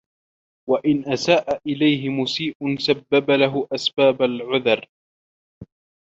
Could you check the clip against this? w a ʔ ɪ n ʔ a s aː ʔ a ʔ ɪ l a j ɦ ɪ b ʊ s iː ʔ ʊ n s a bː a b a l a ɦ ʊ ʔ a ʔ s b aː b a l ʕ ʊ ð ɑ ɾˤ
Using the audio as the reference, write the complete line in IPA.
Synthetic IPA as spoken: w a ʔ ɪ n ʔ a s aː ʔ a ʔ ɪ l a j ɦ ɪ m ʊ s iː ʔ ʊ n s a bː a b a l a ɦ ʊ ʔ a s b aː b a l ʕ ʊ ð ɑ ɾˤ

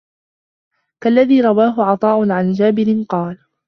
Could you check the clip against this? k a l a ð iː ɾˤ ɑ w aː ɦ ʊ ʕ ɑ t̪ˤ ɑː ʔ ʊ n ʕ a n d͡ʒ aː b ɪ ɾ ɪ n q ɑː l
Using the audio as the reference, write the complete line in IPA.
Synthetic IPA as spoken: k a lː a ð iː ɾˤ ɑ w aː ɦ ʊ ʕ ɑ t̪ˤ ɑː ʔ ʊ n ʕ a n d͡ʒ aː b ɪ ɾ ɪ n q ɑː l

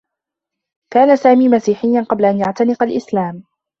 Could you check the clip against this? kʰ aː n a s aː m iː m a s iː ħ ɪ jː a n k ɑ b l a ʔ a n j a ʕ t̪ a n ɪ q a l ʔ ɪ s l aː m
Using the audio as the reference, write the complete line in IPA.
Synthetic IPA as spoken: k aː n a s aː m iː m a s iː ħ ɪ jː a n q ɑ b l a ʔ a n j a ʕ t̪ a n ɪ q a l ʔ ɪ s l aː m

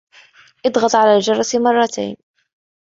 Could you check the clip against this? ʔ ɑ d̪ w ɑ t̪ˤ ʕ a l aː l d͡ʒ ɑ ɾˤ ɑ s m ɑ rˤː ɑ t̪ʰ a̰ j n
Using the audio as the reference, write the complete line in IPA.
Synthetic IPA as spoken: ʔ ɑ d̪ ɣ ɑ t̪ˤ ʕ a l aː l d͡ʒ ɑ ɾˤ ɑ s m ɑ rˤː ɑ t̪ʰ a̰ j n

